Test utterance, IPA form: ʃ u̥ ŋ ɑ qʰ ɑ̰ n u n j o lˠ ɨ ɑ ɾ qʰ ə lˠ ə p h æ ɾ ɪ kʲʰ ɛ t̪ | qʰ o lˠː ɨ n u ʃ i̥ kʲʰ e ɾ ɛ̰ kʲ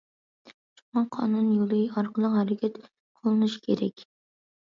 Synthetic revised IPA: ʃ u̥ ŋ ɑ qʰ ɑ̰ n u n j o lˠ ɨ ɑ ɾ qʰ ə lˠ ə q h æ ɾ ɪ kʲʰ ɛ t̪ | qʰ o lˠ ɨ n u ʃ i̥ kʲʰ e ɾ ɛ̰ kʲ